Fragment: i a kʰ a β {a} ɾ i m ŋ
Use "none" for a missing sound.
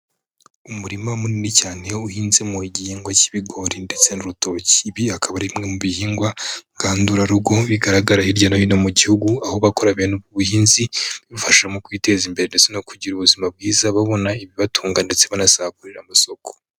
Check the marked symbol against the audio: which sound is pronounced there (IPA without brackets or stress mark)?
a